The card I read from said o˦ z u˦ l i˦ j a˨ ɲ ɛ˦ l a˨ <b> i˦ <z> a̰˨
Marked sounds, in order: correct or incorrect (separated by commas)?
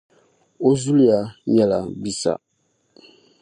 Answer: correct, incorrect